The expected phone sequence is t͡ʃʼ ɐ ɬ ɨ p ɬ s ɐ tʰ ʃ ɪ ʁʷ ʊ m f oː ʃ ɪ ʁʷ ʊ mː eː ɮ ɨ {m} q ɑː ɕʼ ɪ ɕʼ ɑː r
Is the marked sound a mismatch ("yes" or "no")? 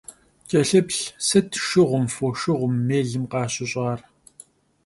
no